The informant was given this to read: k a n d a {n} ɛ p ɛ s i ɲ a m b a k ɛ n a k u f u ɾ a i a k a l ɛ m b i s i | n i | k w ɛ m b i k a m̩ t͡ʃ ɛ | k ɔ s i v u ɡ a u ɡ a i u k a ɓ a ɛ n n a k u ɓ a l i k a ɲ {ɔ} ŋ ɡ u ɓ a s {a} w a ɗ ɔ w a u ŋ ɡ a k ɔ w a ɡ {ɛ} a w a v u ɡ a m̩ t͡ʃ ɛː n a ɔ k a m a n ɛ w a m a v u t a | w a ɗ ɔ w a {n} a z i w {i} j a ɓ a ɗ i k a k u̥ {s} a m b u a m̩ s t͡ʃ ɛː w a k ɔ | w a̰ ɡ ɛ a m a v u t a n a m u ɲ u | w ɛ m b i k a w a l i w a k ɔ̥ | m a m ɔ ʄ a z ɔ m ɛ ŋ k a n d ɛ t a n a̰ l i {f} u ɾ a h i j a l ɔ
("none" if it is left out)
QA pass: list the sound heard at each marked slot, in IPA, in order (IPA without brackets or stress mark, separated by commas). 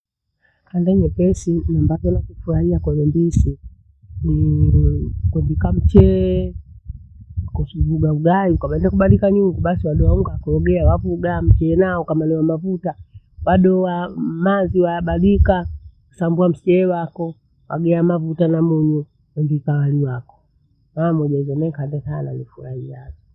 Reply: ɲ, u, i, ɛ, m, a, s, f